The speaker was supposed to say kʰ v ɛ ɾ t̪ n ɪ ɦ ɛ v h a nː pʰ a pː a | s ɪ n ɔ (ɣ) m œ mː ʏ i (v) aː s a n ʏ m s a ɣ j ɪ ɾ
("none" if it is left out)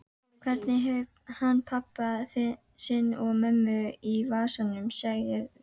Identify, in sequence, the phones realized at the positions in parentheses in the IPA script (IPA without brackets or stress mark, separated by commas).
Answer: ɣ, v